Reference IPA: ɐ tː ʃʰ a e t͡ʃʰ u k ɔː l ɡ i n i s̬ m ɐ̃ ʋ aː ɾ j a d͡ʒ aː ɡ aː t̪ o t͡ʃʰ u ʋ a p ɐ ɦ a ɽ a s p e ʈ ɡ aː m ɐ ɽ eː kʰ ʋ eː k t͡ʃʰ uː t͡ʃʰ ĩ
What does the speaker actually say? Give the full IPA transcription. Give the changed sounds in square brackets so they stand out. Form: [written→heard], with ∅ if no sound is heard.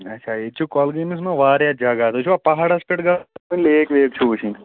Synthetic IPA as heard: ɐ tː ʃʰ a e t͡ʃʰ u k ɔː l ɡ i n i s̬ m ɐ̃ ʋ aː ɾ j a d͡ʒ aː ɡ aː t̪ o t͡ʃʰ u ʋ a p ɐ ɦ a ɽ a s p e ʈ ɡ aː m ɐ [ɽ→l] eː [kʰ→k] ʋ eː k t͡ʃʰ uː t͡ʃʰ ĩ